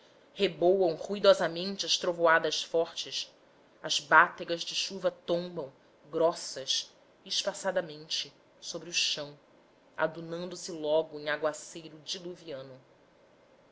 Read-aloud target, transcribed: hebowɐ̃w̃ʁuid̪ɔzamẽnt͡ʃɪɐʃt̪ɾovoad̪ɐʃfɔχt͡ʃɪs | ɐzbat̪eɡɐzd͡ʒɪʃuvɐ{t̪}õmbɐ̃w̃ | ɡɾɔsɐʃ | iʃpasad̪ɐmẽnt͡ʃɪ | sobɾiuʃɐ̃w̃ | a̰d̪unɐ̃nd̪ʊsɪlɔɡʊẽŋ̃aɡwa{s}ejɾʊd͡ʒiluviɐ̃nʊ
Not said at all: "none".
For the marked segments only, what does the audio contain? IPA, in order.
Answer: t̪, s

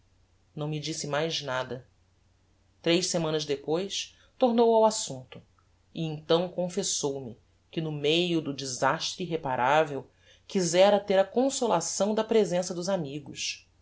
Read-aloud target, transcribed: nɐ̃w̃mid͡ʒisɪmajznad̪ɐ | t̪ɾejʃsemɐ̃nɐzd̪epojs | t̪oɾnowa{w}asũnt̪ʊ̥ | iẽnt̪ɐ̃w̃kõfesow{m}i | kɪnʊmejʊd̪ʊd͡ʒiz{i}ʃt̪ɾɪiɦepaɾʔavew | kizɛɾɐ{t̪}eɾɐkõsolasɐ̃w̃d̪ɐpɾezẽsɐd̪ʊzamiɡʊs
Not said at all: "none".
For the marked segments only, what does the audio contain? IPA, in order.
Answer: w, m, a, t̪

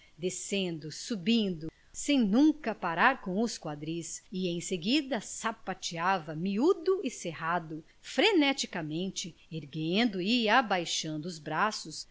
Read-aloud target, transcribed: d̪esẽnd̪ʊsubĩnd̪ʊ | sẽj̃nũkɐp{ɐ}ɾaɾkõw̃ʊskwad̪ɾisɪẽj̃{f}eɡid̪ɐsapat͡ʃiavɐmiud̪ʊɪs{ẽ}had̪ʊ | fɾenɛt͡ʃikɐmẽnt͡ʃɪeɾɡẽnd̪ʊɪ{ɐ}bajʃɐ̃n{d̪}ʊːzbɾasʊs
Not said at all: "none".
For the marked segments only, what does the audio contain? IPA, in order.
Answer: a, s, e, a, d̪

